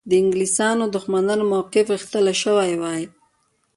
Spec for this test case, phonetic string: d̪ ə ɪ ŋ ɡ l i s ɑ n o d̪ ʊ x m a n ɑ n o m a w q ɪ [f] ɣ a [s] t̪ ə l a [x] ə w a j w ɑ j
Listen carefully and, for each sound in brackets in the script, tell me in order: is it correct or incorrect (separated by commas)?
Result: correct, incorrect, incorrect